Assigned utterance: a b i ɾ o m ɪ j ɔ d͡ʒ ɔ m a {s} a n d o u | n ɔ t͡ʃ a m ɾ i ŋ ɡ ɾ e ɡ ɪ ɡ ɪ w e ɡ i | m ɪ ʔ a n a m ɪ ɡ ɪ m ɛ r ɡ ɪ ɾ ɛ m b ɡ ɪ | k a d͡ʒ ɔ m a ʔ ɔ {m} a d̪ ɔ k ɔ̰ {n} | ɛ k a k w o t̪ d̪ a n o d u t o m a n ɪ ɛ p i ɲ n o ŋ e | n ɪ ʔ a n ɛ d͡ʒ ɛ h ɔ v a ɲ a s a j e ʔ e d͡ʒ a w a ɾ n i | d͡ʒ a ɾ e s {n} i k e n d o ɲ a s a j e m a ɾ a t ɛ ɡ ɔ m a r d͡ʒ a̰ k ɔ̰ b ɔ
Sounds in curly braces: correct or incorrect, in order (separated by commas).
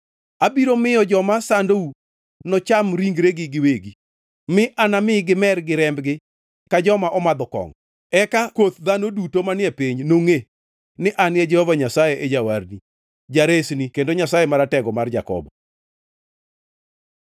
correct, correct, incorrect, correct